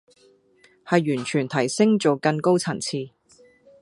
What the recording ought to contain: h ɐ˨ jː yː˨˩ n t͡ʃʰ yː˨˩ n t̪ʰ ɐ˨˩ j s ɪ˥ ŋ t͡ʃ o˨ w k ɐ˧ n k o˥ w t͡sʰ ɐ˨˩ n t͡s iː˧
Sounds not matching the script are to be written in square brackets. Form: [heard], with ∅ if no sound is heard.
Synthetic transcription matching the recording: h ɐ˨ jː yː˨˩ n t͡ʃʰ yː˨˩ n t̪ʰ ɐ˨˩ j s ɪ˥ ŋ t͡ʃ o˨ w k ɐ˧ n k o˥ w t͡sʰ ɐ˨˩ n [t͡sʰ] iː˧